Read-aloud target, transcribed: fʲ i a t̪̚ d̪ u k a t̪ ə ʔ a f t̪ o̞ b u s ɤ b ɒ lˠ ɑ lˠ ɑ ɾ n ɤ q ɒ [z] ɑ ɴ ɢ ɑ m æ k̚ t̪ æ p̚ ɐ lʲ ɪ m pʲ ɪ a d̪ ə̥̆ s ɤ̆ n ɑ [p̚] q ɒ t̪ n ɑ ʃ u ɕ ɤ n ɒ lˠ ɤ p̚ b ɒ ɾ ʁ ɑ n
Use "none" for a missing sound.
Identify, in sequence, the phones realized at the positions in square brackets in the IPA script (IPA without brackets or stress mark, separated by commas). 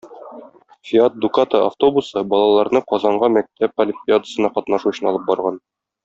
z, none